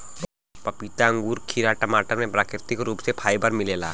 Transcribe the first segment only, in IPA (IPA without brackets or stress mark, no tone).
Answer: p